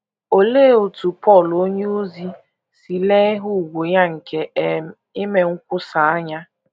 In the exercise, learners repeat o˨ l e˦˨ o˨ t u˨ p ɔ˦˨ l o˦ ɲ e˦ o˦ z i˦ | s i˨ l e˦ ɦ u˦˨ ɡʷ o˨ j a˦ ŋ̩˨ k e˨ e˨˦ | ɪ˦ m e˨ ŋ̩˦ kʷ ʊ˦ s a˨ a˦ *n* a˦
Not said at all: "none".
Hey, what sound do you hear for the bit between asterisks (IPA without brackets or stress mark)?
ɲ